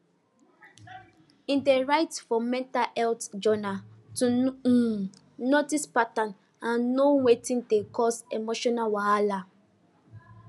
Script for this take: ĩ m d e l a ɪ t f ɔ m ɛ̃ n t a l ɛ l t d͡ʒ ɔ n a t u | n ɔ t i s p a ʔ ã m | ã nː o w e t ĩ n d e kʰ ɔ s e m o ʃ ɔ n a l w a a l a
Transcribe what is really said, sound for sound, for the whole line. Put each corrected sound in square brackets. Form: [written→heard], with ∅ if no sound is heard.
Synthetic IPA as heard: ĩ [m→n] d e [l→ɹ] a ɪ t f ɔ m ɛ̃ n t a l ɛ l t d͡ʒ ɔ n a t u | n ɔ t i s p a [ʔ→t] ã [m→n] | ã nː o w e t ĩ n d e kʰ ɔ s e m o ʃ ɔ n a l w a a l a